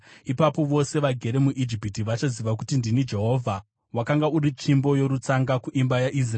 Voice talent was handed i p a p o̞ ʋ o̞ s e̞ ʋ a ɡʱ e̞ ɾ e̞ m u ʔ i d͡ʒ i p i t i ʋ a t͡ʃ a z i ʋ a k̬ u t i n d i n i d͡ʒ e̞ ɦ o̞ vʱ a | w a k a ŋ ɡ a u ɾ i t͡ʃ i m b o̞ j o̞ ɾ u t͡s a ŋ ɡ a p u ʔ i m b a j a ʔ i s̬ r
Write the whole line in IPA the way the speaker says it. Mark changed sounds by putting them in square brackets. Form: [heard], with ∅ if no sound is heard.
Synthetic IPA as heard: i p a p o̞ ʋ o̞ s e̞ ʋ a ɡʱ e̞ ɾ e̞ m u ʔ i d͡ʒ i p i t i ʋ a t͡ʃ a z i ʋ a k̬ u t i n d i n i d͡ʒ e̞ ɦ o̞ vʱ a | w a k a ŋ ɡ a u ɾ i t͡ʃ i m b o̞ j o̞ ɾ u t͡s a ŋ ɡ a [k] u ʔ i m b a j a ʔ i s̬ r